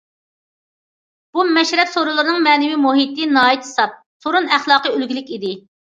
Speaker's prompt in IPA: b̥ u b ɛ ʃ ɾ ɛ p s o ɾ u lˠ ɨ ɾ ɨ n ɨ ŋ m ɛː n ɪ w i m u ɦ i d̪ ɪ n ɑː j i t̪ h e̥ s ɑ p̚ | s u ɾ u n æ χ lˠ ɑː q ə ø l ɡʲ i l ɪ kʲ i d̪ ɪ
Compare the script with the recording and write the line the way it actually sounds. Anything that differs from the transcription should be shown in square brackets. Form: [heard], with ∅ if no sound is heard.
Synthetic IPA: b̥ u [m] ɛ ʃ ɾ ɛ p s o ɾ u lˠ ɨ ɾ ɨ n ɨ ŋ m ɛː n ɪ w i m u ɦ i [t̪] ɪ n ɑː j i t̪ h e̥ s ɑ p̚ | s [o] ɾ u n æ χ lˠ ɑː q ə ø l ɡʲ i l ɪ kʲ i d̪ ɪ